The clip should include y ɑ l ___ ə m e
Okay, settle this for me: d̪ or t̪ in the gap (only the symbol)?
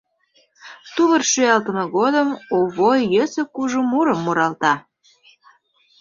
t̪